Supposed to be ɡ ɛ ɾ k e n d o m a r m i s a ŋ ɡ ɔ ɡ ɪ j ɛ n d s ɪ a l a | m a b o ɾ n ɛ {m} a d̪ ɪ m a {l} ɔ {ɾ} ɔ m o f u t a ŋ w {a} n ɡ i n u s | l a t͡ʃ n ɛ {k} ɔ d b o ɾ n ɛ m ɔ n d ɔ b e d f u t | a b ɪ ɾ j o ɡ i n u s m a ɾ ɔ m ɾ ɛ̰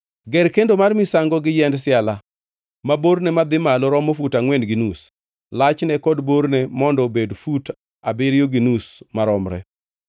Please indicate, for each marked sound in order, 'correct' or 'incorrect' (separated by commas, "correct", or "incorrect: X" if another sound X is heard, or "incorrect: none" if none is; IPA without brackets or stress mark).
correct, correct, correct, incorrect: ɛ, correct